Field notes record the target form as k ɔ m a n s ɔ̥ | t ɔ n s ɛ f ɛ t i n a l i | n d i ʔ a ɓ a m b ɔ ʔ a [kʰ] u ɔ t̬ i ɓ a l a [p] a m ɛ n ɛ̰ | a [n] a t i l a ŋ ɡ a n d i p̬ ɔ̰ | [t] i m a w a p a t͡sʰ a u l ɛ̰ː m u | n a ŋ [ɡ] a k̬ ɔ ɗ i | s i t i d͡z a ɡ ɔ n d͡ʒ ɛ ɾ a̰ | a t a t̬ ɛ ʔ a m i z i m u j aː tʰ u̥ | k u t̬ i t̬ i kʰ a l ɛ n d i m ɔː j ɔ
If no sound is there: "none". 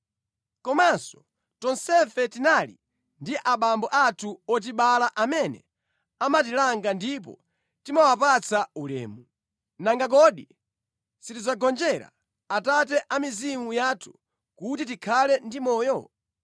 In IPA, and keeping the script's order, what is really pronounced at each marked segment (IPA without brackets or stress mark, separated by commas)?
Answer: tʰ, ʔ, m, t, ɡ